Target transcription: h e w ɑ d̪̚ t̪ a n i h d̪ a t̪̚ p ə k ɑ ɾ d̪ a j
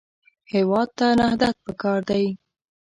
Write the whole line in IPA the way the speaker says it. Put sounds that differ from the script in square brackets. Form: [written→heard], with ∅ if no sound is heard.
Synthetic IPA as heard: h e w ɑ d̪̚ t̪ a n [i→a] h d̪ a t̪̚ p ə k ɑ ɾ d̪ a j